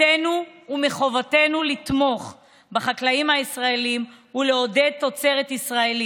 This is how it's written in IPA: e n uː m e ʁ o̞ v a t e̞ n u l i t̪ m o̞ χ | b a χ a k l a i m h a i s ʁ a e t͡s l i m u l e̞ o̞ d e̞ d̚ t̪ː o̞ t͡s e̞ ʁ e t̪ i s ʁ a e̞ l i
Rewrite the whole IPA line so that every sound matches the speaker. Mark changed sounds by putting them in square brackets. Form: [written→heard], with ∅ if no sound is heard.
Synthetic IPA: e n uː m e [ʁ→χ] o̞ v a t e̞ n u l i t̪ m o̞ χ | b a χ a k l a i m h a i s ʁ a e [t͡s→∅] l i m u l e̞ o̞ d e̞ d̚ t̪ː o̞ t͡s e̞ ʁ e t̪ i s ʁ a e̞ l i